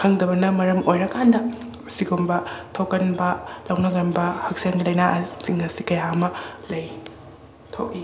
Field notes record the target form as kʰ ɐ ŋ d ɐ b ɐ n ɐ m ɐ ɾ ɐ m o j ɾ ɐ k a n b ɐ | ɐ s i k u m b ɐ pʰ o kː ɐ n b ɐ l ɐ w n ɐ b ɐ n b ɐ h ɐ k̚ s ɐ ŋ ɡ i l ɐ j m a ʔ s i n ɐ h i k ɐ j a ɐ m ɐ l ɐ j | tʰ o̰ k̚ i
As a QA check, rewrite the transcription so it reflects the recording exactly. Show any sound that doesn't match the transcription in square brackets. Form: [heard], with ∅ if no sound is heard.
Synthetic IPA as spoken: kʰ ɐ ŋ d ɐ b ɐ n ɐ m ɐ ɾ ɐ m o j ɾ ɐ k a n [d] ɐ | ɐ s i [ɡ] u m b ɐ [tʰ] o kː ɐ n b ɐ l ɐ w n ɐ [ɡ] ɐ n b ɐ h ɐ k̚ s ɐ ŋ ɡ i l ɐ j [n] a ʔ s i [ŋ] ɐ [s] i k ɐ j a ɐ m ɐ l ɐ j | tʰ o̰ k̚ i